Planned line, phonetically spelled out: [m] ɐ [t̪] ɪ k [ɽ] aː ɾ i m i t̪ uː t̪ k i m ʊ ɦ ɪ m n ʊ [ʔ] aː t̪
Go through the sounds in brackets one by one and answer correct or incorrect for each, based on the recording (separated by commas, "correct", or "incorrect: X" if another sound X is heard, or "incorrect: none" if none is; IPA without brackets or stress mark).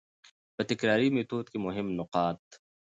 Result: incorrect: b, correct, incorrect: ɾ, incorrect: q